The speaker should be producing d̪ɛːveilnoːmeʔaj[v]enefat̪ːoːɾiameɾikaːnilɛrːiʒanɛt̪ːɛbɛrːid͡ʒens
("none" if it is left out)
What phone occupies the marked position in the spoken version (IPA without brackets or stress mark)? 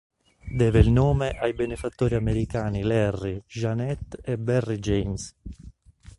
b